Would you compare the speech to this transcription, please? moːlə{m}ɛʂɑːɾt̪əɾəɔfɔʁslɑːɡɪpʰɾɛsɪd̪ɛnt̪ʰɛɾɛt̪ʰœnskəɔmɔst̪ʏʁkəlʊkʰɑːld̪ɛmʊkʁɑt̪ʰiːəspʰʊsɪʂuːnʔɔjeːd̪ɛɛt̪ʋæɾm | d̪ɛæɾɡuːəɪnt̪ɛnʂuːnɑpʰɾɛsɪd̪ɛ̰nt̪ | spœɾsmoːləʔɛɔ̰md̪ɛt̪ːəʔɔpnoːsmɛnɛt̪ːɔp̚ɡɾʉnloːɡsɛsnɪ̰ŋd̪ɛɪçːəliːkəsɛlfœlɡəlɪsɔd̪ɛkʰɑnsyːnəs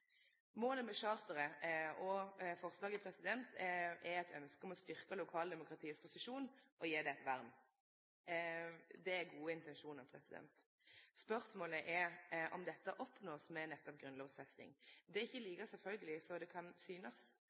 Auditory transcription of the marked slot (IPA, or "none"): m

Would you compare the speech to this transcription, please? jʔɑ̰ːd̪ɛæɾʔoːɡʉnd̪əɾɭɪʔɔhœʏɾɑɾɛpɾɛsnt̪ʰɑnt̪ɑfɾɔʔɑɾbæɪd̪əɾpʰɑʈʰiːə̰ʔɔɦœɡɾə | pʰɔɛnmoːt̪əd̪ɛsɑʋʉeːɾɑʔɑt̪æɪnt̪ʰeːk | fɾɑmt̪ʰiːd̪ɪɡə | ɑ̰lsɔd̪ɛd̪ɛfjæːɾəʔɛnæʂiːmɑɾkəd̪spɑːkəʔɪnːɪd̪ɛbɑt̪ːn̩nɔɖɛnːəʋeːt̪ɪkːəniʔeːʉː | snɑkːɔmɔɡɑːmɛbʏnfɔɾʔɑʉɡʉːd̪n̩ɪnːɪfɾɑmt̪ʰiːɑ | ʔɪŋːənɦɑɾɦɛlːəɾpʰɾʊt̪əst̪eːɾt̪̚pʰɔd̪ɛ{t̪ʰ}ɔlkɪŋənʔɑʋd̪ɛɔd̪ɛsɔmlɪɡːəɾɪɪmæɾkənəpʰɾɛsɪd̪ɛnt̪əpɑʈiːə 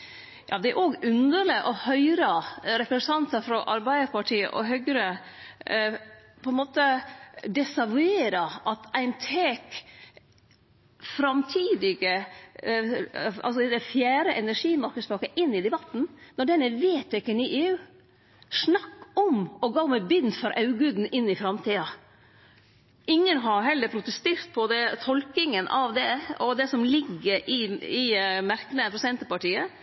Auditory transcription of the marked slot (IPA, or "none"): t̪ʰ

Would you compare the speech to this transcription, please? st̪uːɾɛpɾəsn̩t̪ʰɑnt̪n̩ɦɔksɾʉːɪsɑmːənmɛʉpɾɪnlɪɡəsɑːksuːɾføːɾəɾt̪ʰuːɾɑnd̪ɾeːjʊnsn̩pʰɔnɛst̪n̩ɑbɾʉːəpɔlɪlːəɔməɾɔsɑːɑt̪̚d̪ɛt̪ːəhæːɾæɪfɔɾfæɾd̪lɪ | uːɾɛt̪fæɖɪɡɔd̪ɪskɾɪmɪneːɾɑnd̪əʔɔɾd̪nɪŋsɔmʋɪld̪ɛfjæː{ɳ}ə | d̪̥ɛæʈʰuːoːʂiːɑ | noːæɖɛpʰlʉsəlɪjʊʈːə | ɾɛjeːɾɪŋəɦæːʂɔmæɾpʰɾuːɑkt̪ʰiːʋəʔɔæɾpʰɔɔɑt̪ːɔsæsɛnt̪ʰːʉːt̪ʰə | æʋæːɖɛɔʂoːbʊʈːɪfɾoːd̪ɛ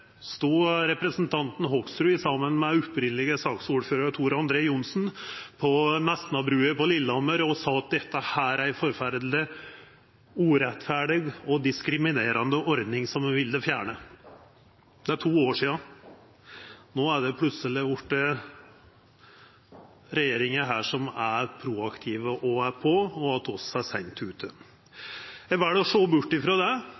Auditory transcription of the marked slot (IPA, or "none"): ɳ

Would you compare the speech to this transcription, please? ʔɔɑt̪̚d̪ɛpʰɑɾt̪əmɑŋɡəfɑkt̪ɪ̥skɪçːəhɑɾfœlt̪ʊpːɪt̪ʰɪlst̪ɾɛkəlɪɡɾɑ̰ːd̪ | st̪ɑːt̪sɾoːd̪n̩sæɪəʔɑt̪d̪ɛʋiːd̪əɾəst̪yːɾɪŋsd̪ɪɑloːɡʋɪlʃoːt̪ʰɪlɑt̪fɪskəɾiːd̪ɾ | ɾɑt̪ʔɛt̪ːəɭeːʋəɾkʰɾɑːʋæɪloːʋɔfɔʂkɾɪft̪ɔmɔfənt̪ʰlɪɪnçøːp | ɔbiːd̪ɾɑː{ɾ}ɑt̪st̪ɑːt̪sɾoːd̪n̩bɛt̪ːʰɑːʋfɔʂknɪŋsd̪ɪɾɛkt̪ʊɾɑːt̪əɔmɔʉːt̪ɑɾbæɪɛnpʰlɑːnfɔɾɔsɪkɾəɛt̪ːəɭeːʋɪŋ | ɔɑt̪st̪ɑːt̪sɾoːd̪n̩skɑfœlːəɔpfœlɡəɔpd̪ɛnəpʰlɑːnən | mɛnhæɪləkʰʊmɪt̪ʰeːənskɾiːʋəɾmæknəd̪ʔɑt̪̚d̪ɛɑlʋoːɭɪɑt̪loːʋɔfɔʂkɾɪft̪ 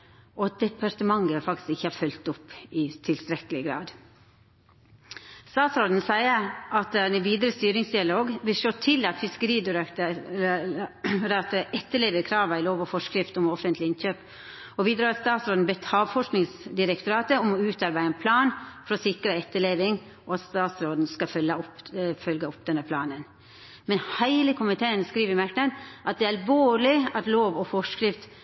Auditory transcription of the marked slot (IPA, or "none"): ɾ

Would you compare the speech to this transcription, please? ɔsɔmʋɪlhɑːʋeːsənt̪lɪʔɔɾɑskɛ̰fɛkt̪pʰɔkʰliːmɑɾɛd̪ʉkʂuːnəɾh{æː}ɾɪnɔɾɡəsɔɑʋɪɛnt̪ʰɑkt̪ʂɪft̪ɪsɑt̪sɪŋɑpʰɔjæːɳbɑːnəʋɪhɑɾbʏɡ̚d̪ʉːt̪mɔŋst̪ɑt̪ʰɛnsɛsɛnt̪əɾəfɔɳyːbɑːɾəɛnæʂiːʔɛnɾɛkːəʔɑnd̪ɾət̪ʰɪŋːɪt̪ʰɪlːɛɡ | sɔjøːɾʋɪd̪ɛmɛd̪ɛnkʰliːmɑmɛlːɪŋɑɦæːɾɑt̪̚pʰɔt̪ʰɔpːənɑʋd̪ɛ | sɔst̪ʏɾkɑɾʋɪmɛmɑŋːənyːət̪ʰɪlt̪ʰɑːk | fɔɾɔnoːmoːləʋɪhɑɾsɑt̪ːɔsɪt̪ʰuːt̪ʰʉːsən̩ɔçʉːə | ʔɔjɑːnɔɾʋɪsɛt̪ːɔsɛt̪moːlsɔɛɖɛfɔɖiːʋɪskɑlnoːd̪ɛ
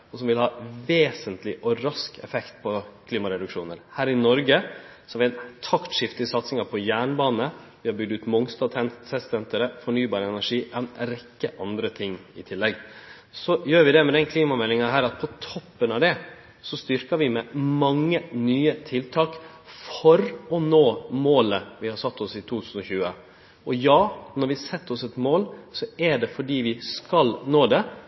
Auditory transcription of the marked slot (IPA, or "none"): æː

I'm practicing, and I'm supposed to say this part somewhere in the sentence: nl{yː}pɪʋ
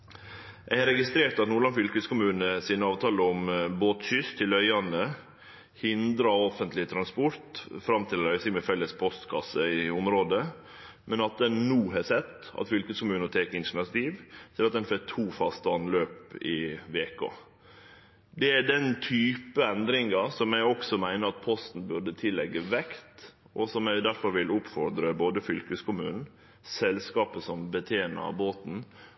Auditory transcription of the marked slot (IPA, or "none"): øː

